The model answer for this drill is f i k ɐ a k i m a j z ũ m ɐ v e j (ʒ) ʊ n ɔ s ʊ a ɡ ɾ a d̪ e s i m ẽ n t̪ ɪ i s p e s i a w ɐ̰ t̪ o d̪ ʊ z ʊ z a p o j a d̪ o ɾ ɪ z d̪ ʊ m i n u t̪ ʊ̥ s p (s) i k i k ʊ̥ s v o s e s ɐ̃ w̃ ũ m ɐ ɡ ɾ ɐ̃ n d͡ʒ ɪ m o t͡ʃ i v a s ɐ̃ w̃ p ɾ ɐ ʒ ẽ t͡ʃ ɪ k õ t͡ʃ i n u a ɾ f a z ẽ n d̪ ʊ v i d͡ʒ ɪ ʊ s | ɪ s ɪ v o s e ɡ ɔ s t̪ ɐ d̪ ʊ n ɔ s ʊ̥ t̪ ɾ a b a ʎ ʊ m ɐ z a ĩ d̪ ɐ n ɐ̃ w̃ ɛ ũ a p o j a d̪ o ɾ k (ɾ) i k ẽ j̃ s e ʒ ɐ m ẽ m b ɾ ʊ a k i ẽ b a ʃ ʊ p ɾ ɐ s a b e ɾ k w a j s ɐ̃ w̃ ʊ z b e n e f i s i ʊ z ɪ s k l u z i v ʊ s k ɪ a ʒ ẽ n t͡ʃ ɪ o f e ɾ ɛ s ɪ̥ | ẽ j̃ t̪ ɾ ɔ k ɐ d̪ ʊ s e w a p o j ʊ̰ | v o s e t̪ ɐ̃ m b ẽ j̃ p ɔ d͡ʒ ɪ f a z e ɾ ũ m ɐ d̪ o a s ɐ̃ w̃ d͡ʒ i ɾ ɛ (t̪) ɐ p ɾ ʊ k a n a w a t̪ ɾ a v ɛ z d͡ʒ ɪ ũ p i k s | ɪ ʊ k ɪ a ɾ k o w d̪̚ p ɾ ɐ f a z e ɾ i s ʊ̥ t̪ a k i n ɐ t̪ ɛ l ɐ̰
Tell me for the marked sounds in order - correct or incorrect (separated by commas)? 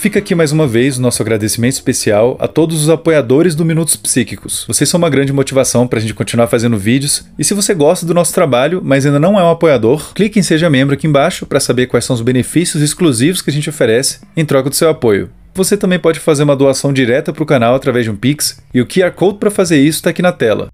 incorrect, correct, incorrect, correct